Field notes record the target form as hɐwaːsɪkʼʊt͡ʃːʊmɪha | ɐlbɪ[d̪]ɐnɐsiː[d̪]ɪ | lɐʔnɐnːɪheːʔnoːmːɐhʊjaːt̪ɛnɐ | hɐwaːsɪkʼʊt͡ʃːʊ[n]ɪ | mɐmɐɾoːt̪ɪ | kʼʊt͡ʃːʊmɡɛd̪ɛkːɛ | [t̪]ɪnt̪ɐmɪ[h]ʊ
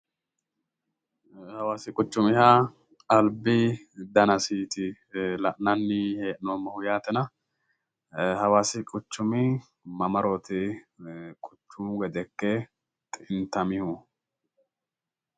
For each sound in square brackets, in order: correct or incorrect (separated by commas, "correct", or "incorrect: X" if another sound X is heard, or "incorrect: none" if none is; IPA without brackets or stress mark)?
correct, incorrect: t̪, incorrect: m, incorrect: t̪ʼ, correct